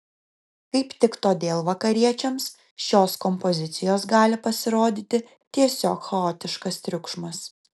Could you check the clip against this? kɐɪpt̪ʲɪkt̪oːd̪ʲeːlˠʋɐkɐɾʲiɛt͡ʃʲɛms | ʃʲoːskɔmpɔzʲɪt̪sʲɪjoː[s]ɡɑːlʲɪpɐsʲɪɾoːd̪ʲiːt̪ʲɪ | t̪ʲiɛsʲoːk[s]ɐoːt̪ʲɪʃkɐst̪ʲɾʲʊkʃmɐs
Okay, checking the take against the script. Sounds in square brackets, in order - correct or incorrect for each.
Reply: correct, incorrect

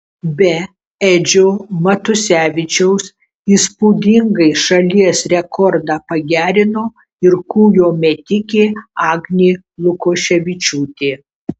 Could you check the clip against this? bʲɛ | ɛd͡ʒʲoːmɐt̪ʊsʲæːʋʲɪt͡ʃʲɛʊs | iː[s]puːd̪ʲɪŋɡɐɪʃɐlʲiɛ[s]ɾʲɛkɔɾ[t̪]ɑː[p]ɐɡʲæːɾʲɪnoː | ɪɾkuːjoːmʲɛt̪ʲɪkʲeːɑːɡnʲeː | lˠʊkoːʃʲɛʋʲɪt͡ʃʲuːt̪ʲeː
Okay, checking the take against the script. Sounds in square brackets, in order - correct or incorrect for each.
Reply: correct, correct, incorrect, correct

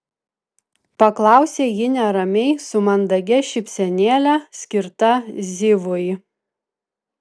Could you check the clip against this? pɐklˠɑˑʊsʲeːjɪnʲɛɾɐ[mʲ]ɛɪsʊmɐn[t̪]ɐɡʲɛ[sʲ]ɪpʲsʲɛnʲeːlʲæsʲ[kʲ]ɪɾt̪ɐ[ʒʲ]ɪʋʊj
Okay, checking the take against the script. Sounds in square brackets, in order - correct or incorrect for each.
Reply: correct, incorrect, incorrect, correct, incorrect

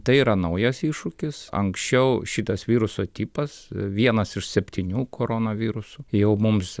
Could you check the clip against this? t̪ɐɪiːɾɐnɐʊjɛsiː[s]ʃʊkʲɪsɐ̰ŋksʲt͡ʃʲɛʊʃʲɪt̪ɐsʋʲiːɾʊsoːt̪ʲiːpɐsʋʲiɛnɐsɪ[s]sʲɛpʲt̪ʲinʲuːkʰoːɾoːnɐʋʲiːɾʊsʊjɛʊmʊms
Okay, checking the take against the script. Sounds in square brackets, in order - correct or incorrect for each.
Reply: incorrect, incorrect

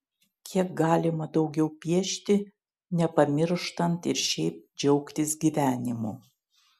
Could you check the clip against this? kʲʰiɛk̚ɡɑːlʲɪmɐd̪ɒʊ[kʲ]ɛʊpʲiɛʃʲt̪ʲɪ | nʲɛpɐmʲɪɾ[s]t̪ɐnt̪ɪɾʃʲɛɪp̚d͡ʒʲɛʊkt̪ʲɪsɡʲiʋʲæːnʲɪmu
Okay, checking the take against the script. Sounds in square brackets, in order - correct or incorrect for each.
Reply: incorrect, incorrect

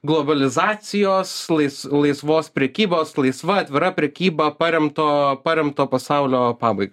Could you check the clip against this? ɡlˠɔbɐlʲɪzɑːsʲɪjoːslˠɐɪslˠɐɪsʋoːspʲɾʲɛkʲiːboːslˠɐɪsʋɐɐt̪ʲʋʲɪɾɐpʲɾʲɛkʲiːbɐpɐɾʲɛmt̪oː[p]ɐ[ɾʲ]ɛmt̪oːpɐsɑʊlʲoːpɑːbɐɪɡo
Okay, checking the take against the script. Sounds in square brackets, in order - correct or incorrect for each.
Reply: correct, correct

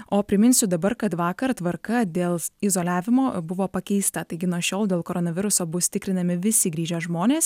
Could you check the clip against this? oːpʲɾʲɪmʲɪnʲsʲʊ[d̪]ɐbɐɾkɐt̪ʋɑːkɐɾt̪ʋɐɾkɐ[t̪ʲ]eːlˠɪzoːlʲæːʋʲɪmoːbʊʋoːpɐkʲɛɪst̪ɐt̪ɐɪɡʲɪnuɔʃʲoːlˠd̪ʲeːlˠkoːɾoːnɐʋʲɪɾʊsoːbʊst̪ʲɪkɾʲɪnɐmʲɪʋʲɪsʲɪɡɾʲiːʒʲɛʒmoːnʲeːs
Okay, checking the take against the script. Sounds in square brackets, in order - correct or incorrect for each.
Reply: correct, incorrect

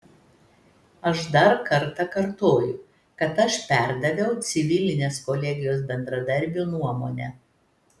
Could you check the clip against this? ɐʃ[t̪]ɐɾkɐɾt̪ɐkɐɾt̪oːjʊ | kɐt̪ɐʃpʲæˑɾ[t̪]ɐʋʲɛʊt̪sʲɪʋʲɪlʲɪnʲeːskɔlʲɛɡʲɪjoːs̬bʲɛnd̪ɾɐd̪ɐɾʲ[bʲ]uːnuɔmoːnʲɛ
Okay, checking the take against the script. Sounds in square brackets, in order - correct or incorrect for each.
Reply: incorrect, incorrect, correct

